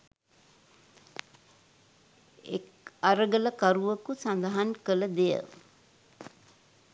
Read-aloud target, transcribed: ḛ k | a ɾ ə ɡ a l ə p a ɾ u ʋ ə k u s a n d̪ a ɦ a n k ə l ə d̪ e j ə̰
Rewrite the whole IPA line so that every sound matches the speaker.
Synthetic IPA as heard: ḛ k | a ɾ ə ɡ ə l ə k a ɾ u ʋ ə k u s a n d̪ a ɦ a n k ə l ə d̪ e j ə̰